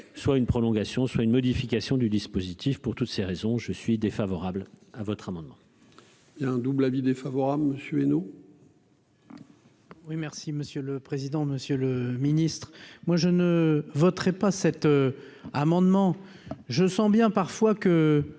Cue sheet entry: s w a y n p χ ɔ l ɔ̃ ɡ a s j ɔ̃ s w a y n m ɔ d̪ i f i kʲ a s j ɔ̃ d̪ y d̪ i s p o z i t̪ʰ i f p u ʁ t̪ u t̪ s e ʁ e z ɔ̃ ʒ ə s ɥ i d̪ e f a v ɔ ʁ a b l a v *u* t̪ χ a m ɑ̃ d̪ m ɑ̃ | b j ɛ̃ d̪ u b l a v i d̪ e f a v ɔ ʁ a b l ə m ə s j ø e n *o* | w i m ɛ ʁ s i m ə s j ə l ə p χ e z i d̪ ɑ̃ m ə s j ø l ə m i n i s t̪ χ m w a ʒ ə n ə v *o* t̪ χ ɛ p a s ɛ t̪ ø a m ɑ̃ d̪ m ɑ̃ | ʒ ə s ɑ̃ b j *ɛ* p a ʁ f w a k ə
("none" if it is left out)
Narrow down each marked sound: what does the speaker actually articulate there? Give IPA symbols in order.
ɔ, o, ɔ, ɛ̃

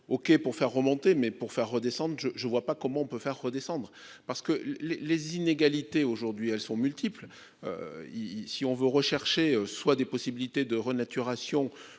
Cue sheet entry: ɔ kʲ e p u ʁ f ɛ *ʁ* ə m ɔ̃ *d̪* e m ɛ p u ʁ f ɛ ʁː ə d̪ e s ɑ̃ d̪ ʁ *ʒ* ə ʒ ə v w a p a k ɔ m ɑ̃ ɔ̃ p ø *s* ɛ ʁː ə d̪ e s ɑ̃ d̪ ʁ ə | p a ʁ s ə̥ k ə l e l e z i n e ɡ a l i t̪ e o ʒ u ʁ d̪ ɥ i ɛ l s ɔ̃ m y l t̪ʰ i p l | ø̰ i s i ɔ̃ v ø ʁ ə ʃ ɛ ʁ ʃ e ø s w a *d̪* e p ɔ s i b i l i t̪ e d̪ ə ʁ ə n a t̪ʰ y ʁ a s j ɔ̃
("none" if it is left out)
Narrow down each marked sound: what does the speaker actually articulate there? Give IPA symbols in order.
ʁː, t̪, ʒ, f, d̪

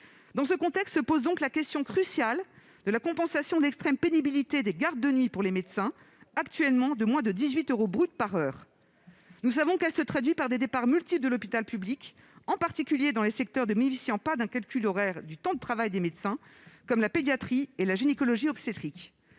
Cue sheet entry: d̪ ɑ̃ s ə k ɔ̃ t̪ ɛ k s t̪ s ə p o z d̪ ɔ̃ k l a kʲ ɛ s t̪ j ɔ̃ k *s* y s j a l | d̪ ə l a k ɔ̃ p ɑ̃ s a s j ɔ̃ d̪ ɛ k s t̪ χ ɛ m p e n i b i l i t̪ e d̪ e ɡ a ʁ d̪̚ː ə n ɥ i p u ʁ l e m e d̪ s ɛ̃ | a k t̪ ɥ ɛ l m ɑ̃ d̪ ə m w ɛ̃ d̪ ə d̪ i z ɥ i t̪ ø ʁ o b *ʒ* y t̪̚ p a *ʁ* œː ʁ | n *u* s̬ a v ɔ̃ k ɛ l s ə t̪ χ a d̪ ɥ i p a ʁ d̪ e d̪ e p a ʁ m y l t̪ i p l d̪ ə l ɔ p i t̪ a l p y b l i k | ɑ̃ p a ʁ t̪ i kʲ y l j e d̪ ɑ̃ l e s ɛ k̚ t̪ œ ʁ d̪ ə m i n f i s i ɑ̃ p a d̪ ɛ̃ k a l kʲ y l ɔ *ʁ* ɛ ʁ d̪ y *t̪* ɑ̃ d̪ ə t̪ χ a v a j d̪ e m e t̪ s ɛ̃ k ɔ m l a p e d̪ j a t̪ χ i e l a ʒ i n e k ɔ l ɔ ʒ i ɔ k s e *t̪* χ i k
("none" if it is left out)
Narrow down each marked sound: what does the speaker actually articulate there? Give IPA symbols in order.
χ, ʁ, ʁ, u, ʁ, t̪, t̪

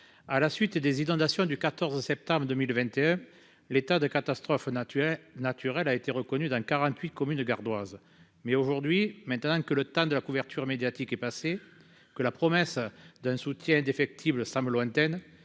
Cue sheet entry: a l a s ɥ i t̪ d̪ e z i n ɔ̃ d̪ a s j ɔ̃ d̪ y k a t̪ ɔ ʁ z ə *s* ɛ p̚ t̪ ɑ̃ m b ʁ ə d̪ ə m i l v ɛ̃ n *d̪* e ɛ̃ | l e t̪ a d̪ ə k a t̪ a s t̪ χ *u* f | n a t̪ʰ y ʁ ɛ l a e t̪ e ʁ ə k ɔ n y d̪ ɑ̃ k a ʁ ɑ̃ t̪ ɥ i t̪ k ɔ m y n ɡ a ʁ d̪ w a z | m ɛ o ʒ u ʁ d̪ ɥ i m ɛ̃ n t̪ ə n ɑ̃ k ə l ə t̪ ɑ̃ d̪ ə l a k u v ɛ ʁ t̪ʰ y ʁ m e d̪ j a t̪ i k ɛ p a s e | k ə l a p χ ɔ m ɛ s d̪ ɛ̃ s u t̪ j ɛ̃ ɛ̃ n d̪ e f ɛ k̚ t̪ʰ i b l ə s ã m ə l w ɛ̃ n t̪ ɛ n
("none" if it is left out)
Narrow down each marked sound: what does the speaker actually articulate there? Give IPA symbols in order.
s, t̪, ɔ

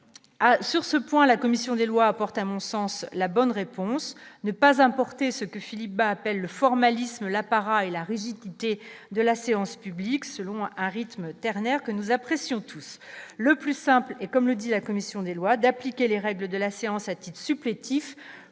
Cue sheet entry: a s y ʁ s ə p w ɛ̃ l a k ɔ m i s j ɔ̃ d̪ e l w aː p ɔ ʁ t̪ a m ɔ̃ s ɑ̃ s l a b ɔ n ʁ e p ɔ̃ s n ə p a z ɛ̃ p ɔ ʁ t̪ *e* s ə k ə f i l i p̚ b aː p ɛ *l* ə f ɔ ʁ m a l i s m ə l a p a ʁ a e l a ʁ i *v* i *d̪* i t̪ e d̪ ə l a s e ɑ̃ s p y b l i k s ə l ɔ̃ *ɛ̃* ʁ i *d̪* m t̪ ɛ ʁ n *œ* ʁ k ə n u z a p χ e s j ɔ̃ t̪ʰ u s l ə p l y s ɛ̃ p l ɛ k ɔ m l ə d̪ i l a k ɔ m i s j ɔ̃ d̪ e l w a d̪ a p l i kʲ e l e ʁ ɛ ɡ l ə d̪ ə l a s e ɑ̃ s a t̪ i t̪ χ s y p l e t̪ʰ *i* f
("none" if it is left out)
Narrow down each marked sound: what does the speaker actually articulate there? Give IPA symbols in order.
e, lː, ʒ, d̪, ɛ̃, t̪, ɛ, i

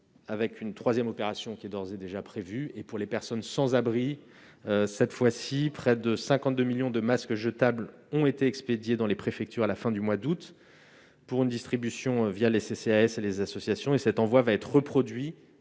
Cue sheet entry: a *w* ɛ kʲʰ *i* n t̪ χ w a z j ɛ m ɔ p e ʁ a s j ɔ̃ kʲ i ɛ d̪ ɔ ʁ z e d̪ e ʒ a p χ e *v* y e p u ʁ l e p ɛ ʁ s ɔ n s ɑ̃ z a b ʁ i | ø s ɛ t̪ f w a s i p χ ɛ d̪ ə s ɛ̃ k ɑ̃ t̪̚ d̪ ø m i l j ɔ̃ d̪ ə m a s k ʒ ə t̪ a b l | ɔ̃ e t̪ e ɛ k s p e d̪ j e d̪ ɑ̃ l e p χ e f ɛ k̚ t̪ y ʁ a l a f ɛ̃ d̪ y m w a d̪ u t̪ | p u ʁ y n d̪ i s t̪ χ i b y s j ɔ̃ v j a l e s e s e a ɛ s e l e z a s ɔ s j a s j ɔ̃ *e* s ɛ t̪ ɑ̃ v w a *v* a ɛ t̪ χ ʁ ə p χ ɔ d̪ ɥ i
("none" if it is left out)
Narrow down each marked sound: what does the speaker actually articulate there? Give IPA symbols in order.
v, y, v, e, v

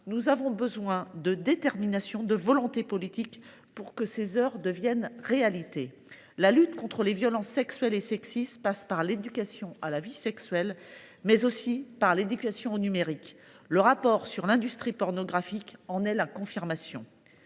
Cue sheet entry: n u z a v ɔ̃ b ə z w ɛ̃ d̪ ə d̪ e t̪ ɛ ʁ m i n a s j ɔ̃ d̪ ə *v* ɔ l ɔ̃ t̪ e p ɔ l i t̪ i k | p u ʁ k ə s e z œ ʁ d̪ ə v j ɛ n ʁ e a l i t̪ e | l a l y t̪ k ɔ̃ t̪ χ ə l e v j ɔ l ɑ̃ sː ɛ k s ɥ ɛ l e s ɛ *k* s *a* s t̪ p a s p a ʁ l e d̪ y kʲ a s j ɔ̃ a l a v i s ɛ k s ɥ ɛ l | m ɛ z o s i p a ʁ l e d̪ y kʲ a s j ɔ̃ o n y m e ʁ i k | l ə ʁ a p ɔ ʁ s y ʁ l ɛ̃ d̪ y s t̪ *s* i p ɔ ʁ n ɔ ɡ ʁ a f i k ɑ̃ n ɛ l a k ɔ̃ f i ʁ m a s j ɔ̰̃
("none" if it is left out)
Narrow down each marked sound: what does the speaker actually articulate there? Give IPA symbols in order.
v, k, i, χ

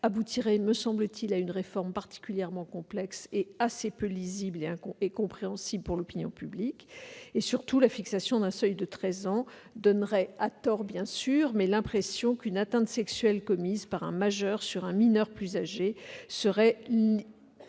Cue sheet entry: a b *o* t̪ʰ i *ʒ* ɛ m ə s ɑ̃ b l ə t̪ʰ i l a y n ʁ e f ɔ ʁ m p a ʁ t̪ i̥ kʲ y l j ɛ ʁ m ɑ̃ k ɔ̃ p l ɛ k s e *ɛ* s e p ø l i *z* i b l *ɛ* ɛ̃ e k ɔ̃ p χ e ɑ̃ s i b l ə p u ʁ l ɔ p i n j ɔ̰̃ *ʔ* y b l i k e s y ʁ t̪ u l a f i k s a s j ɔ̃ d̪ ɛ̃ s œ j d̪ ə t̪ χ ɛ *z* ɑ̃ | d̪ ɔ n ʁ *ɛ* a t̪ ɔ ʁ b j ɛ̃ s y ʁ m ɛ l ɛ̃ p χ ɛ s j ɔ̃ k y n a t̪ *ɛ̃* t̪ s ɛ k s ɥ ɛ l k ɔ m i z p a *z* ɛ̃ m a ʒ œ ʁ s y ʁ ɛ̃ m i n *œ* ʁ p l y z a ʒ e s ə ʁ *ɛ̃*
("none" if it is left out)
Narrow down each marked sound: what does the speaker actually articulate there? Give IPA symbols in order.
u, ʁ, a, z, e, p, z, ɛ, ɛ̃, ʁ, œ, ɛ

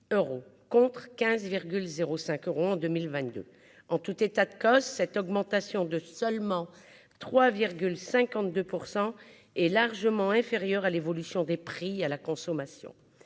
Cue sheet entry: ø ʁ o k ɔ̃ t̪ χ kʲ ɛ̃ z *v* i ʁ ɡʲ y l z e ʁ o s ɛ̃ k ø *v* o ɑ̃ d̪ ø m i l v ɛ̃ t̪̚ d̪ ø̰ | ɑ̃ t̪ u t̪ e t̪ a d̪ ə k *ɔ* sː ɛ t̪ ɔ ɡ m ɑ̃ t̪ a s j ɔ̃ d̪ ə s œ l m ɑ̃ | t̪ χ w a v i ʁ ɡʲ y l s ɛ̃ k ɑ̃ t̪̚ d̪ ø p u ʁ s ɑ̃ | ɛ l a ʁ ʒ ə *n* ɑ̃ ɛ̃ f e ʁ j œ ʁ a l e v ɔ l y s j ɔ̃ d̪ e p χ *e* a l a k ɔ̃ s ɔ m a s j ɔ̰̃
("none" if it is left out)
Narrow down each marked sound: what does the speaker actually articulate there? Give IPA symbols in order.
v, ʁ, ɔ, m, i

